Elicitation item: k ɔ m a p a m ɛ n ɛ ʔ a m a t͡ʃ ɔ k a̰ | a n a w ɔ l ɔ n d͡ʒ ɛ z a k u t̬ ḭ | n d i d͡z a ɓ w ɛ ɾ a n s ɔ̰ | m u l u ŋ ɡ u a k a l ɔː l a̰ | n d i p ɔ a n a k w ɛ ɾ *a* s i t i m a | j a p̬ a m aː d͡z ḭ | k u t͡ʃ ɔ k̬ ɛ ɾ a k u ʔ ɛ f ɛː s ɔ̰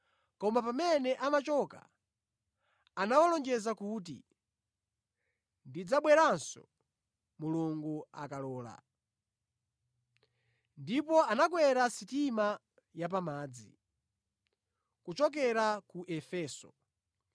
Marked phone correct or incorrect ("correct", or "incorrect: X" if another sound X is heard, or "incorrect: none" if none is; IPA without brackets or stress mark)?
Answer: correct